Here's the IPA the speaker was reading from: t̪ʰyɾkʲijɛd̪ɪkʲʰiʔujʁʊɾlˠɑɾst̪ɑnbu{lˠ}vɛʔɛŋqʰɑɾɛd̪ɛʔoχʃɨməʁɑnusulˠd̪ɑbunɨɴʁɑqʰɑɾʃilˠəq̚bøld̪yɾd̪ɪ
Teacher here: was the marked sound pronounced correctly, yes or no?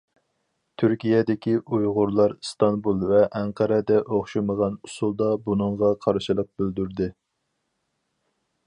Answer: yes